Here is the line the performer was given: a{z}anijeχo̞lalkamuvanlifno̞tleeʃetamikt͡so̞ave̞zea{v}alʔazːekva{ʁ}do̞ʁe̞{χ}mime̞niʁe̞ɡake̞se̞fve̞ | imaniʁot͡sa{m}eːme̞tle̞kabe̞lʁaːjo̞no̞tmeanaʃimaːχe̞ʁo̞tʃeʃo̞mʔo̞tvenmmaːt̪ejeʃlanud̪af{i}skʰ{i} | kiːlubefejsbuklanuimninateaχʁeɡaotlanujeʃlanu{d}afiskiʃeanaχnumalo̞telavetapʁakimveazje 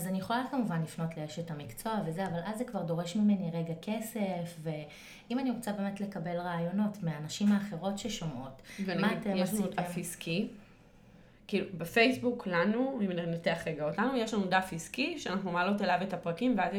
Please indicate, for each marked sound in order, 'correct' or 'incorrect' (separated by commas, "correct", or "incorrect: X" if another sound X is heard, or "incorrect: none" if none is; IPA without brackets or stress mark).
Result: correct, correct, correct, incorrect: ʃ, incorrect: b, correct, correct, correct